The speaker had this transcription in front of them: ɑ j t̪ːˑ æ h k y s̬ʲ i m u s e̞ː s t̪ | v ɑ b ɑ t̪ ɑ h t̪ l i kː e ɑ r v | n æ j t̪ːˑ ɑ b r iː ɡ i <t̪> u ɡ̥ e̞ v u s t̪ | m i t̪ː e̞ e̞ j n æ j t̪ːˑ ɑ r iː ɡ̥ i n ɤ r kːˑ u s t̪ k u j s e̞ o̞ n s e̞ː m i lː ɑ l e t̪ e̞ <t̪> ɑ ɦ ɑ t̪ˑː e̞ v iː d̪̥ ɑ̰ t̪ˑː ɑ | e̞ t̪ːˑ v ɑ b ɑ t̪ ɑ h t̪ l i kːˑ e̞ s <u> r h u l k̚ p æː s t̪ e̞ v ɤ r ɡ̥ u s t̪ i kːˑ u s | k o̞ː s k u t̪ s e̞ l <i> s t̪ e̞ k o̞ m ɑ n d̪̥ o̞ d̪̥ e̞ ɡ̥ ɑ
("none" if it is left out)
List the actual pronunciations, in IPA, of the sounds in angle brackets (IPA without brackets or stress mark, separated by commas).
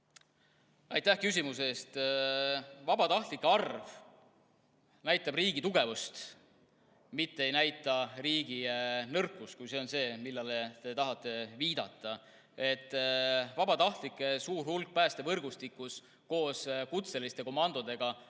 t̪, t̪, uː, i